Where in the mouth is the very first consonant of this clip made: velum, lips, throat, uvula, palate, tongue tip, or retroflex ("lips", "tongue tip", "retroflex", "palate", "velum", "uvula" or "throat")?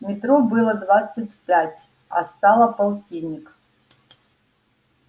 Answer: lips